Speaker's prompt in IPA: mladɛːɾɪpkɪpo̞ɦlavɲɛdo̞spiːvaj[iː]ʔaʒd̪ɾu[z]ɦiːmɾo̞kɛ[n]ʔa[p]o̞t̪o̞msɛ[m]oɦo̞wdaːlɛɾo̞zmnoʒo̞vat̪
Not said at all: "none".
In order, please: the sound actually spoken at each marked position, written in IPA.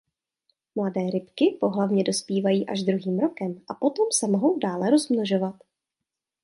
iː, none, m, p, m

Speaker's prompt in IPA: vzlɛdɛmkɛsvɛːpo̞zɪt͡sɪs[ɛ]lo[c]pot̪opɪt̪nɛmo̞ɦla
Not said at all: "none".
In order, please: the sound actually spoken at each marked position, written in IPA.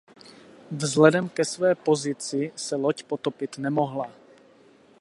ɛ, c

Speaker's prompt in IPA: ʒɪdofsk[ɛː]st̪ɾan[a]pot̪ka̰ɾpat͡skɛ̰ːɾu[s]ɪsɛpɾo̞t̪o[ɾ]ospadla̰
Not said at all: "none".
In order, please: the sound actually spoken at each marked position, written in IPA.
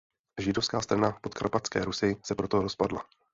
aː, a, s, ɾ

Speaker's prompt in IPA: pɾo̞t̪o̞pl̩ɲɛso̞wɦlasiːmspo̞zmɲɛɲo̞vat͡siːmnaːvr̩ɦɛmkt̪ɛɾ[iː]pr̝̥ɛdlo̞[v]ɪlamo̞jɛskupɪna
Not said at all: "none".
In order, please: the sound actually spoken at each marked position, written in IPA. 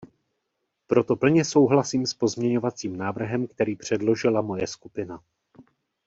iː, ʒ

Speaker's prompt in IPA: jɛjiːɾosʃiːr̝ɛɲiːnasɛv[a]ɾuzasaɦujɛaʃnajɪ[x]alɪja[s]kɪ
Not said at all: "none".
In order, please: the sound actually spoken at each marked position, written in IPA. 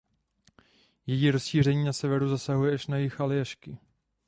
ɛ, x, ʃ

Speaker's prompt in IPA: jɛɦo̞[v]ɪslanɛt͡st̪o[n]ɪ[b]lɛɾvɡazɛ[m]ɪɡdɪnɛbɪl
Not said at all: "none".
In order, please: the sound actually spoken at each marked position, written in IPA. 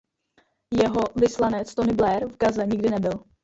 v, n, b, ɲ

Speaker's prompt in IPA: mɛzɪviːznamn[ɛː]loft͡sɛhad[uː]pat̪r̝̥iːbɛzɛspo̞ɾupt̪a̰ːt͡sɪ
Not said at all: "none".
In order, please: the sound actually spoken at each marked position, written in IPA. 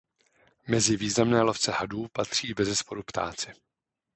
ɛː, uː

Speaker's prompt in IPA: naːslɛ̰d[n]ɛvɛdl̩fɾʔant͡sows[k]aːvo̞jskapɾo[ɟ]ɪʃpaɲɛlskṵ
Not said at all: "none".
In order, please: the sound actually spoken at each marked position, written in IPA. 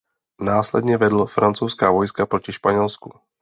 ɲ, k, c

